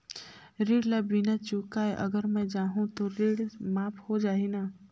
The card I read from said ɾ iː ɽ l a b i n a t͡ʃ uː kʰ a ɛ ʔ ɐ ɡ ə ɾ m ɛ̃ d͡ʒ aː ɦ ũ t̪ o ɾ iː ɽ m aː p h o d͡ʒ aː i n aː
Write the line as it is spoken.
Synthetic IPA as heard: ɾ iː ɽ l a b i n a t͡ʃ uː k a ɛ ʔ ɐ ɡ ə ɾ m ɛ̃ d͡ʒ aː ɦ ũ t̪ o ɾ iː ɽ m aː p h o d͡ʒ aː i n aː